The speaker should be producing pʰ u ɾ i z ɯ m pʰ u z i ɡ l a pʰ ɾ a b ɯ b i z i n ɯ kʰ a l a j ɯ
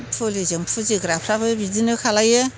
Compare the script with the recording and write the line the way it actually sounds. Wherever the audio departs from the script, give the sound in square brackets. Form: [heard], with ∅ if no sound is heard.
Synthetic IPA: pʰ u [l] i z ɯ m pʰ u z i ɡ [ɾ] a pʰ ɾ a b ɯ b i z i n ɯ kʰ a l a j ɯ

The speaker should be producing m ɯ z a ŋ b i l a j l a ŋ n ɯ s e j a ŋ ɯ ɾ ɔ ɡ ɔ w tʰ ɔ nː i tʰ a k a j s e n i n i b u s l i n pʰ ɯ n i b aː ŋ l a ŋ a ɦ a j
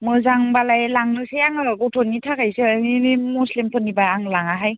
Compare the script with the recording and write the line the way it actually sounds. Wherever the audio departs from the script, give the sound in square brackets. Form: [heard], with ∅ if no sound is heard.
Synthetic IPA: m ɯ z a ŋ b [a] l a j l a ŋ n ɯ s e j a ŋ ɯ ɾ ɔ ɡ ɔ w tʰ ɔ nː i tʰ a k a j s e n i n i [m] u s l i [m] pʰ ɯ n i b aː ŋ l a ŋ a ɦ a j

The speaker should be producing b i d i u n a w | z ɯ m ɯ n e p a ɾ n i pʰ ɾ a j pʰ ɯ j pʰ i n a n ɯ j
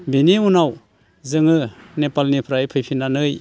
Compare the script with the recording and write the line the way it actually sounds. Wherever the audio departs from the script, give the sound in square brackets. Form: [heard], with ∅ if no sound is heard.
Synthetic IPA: b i [n] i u n a w | z ɯ [ŋ] ɯ n e p a [l] n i pʰ ɾ a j pʰ ɯ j pʰ i n a n ɯ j

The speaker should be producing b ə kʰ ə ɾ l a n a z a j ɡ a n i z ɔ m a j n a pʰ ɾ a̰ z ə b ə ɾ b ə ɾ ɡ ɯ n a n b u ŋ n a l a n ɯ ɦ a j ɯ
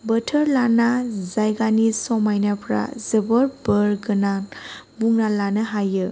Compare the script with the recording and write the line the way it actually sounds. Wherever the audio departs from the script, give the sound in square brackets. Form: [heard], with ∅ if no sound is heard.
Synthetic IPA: b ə [tʰ] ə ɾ l a n a z a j ɡ a n i [s] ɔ m a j n a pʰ ɾ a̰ z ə b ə ɾ b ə ɾ ɡ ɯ n a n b u ŋ n a l a n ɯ ɦ a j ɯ

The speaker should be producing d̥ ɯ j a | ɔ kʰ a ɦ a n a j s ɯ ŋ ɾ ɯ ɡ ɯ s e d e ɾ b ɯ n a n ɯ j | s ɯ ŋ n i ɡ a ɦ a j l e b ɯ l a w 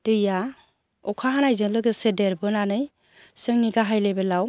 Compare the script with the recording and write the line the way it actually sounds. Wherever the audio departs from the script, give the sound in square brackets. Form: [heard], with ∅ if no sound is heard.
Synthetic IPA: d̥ ɯ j a | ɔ kʰ a ɦ a n a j [z] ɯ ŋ [l] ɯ ɡ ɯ s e d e ɾ b ɯ n a n ɯ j | s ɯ ŋ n i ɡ a ɦ a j l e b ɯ l a w

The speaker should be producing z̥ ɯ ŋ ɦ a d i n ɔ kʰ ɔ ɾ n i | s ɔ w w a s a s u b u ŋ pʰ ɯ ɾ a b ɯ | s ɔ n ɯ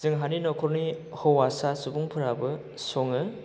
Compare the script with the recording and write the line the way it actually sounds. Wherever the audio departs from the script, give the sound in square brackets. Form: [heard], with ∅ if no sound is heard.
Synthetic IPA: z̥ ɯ ŋ ɦ a [n] i n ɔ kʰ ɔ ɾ n i | [h] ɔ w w a s a s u b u ŋ pʰ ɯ ɾ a b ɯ | s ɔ [ŋ] ɯ

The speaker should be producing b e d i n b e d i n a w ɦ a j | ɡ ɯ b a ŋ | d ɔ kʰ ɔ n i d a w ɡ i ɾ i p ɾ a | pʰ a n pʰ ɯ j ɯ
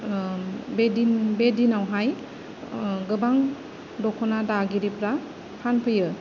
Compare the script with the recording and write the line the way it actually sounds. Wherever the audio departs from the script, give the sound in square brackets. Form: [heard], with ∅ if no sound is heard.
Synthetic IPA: b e d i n b e d i n a w ɦ a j | ɡ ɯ b a ŋ | d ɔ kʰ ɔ n [a] d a [∅] ɡ i ɾ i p ɾ a | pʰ a n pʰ ɯ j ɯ

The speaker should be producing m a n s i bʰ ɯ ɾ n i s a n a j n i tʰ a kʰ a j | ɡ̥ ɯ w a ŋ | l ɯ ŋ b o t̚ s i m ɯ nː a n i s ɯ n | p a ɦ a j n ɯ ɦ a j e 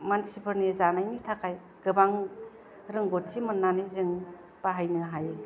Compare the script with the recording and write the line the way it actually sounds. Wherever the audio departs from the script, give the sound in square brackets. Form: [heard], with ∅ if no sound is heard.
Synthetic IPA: m a n s i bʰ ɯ ɾ n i [z] a n a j n i tʰ a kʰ a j | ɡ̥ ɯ [b] a ŋ | [ɾ] ɯ ŋ [ɡ] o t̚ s i m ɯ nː a n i [z] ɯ [ŋ] | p a ɦ a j n ɯ ɦ a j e

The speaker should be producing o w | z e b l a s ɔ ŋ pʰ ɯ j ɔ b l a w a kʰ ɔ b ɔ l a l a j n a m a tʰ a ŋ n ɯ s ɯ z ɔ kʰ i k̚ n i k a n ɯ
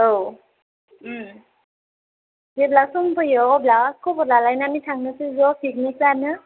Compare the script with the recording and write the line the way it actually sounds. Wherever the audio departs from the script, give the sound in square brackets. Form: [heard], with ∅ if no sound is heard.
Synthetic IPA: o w | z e b l a s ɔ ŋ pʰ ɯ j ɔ b l a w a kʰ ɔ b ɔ l a l a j n a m [i] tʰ a ŋ n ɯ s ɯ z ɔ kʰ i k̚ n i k a n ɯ

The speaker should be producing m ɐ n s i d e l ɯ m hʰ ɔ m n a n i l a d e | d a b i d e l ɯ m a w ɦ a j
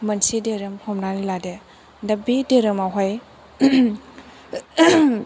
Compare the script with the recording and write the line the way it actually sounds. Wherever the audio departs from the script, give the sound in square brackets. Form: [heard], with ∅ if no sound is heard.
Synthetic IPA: m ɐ n s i d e [ɾ] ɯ m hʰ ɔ m n a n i l a d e | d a b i d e [ɾ] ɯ m a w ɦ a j

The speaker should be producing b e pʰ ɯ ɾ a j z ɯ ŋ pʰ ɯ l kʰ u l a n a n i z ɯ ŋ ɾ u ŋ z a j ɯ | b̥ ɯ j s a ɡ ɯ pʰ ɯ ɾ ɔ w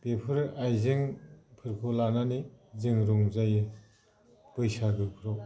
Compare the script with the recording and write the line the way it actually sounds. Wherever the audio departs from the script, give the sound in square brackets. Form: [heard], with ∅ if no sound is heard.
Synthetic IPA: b e pʰ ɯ ɾ a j z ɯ ŋ pʰ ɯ [ɾ] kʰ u l a n a n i z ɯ ŋ ɾ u ŋ z a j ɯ | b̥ ɯ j s a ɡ ɯ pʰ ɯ ɾ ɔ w

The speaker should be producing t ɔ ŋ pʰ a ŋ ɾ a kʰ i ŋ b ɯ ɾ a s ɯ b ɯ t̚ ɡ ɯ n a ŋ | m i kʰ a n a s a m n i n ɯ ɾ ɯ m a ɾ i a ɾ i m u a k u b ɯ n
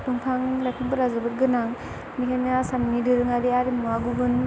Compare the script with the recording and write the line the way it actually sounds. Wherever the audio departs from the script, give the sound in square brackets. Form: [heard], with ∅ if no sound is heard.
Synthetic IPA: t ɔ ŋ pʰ a ŋ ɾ a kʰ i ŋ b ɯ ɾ a [z] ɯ b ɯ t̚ ɡ ɯ n a ŋ | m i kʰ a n a s a m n i [d] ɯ ɾ ɯ [ŋ] a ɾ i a ɾ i m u a [ɡ] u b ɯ n

